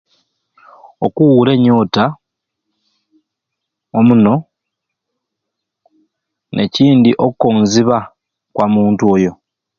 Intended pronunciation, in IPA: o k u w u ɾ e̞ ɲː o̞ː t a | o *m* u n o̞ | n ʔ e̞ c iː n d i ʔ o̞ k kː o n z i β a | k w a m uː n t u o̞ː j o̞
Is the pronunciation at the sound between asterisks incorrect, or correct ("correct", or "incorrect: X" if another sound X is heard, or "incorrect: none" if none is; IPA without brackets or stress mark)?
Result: correct